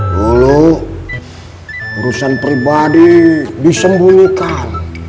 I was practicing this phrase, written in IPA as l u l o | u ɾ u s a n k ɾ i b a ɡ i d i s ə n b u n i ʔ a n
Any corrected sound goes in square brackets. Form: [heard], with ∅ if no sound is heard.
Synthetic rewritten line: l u l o | u ɾ u s a n [p] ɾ i b a [d] i d i s ə [m] b u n i [k] a n